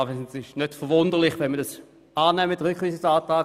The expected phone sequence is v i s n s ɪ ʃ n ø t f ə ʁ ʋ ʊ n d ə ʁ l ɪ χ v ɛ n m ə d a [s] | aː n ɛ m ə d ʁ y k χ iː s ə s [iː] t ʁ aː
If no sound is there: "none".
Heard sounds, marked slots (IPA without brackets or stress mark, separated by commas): s, aː